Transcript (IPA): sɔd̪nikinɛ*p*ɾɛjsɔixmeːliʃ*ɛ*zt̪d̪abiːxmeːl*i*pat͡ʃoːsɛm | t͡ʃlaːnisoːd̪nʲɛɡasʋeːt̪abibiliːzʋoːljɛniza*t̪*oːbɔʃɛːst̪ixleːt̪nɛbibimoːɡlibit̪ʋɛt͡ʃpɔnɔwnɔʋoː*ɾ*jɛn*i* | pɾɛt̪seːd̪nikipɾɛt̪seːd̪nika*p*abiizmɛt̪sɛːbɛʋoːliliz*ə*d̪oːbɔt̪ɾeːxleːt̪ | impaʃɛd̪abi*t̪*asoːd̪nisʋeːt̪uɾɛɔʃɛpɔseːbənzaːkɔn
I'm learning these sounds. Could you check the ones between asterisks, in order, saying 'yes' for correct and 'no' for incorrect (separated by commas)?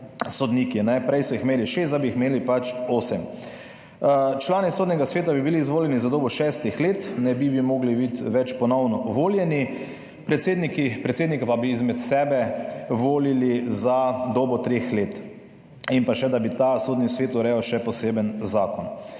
yes, no, yes, no, no, yes, yes, no, yes